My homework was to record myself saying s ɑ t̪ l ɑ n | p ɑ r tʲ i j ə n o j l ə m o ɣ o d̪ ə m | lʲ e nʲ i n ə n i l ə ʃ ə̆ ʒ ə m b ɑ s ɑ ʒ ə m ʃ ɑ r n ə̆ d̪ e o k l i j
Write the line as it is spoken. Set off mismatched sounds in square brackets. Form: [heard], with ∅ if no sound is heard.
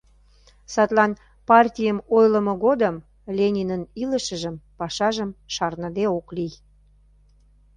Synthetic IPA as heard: s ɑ t̪ l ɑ n | p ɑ r tʲ i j ə [m] o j l ə m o ɣ o d̪ ə m | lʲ e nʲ i n ə n i l ə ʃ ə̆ ʒ ə m [p] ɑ [ʃ] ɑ ʒ ə m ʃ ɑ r n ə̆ d̪ e o k l i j